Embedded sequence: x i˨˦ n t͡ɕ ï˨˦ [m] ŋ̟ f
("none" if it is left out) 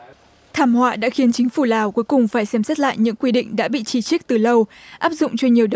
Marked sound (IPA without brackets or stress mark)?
none